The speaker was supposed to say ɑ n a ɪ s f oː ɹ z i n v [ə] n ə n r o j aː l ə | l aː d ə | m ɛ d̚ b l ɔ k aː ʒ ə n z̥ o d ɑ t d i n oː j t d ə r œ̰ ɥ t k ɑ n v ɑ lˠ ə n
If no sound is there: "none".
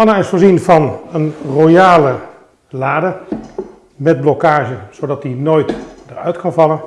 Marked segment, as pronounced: ɑ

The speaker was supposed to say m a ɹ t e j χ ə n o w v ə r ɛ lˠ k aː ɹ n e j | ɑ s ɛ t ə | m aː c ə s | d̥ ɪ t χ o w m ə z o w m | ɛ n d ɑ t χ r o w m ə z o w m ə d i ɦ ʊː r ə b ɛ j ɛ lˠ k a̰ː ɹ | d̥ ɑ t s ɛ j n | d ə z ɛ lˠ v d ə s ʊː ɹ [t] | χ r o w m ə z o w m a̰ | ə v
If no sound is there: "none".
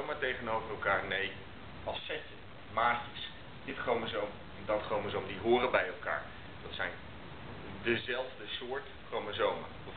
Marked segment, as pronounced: t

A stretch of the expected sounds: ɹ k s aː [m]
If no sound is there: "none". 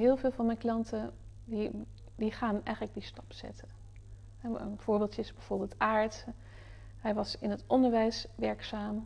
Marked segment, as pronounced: m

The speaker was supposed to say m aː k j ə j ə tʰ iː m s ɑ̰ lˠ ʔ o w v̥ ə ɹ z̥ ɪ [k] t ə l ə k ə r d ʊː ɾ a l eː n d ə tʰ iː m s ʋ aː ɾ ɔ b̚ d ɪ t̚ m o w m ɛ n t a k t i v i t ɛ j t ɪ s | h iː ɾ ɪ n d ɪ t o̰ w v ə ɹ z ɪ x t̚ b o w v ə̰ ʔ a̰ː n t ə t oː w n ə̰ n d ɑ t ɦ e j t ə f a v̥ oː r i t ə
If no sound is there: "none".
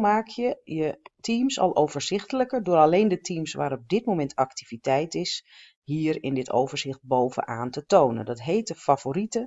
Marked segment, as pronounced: x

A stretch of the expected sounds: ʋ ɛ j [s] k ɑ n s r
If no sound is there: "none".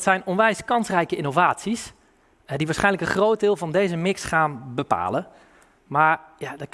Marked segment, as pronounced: s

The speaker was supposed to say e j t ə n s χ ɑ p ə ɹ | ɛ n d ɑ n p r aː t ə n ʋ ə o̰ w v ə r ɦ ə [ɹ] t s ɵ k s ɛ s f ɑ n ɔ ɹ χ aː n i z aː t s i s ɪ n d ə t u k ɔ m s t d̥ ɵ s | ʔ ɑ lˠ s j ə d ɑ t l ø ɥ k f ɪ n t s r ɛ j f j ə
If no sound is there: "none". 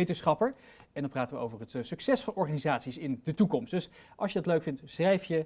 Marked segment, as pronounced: none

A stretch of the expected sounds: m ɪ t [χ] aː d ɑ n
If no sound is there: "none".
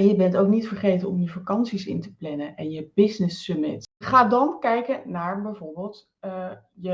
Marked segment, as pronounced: χ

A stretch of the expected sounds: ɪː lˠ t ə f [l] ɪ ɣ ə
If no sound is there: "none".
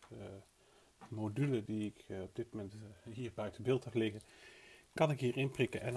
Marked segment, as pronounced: l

